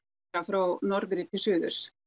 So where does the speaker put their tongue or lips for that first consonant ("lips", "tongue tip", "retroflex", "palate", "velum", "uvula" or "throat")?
lips